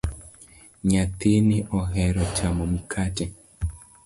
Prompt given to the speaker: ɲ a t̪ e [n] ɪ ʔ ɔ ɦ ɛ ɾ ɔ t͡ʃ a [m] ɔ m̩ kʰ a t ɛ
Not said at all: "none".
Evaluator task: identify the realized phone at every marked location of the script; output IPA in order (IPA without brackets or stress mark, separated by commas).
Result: n, m